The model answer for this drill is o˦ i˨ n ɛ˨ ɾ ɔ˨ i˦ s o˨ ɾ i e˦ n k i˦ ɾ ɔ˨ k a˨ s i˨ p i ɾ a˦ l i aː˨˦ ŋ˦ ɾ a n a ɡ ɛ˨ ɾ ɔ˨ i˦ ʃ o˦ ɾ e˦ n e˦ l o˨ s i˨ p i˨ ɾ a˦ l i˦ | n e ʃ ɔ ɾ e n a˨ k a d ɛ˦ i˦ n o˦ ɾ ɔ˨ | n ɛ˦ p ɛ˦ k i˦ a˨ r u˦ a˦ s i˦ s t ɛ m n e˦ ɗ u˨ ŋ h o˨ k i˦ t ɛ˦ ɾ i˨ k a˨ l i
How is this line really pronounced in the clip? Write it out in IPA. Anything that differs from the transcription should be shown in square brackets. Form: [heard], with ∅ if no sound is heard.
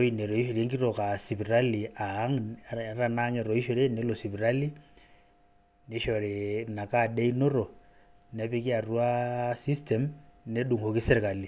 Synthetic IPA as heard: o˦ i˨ n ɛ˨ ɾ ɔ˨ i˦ [ʃ] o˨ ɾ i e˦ [ŋ] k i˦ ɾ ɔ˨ k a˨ s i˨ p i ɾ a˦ l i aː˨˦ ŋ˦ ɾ a n a [ŋ] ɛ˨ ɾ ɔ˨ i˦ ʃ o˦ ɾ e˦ n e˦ l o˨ s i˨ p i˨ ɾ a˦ l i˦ | n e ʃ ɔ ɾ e n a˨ k a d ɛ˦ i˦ n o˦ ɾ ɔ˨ | n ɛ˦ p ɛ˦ k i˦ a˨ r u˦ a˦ s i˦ s t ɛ m n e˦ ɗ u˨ ŋ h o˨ k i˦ [s] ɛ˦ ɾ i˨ k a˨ l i

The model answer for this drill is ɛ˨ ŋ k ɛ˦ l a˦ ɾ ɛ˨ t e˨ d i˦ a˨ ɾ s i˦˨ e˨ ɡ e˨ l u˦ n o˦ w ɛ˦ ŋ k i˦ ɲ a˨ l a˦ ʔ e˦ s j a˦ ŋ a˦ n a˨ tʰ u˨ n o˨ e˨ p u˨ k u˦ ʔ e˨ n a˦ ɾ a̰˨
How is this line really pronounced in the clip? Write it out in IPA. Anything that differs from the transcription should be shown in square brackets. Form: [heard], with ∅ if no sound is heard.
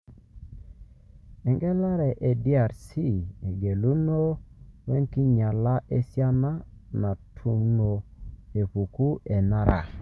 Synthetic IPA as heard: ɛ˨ ŋ [ɡ] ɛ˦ l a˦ ɾ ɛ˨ [ʔ] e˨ d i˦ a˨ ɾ s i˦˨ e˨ ɡ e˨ l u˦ n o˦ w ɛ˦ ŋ k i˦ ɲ a˨ l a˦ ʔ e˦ s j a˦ [n] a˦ n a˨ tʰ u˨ n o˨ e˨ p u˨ k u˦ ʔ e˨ n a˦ ɾ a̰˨

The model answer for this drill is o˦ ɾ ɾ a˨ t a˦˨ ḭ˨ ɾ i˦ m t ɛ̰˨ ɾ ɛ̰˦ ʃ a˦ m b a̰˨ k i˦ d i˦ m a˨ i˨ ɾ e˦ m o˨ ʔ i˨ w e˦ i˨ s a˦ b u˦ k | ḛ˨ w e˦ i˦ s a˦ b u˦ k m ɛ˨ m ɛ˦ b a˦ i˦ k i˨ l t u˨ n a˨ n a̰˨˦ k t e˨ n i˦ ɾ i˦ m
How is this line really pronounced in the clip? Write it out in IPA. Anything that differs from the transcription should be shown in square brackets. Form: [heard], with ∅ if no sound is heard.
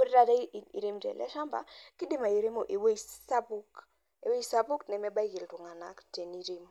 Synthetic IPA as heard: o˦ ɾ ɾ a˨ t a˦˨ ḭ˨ ɾ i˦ m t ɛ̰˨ [l] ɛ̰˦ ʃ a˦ m b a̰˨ k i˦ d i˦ m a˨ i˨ ɾ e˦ m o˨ ʔ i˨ w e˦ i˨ s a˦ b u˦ k | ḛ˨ w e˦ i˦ s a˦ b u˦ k [n] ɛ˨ m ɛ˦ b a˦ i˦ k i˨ l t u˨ [ŋ] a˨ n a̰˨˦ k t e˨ n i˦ ɾ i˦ m

